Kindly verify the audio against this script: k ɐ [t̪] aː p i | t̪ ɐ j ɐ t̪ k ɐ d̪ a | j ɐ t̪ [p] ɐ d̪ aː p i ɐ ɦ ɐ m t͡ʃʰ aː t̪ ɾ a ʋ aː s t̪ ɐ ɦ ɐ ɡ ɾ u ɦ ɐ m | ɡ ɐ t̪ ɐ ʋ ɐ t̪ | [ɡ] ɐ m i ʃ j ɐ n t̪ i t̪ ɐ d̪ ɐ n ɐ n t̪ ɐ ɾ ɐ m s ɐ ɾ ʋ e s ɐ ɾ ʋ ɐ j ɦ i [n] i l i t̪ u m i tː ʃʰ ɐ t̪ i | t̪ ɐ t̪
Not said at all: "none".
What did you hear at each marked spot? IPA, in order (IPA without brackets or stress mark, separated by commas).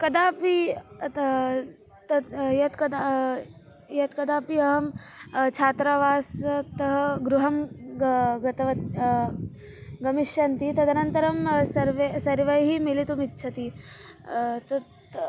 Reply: d̪, k, ɡ, m